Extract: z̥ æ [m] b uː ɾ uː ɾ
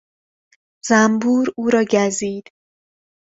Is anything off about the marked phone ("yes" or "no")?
no